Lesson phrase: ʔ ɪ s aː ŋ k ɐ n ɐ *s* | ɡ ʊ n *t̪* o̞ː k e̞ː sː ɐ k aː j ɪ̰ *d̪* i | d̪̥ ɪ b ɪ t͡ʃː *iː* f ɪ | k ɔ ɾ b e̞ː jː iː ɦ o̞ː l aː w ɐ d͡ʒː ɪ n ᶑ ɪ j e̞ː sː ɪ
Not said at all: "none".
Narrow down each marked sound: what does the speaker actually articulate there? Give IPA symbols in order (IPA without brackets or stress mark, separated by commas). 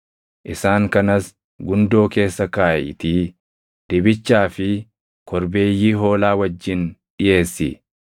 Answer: s, d̪, t̪, aː